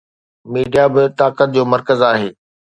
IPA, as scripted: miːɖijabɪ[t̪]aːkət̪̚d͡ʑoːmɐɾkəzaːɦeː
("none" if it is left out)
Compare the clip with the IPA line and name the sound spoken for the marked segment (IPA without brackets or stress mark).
t̪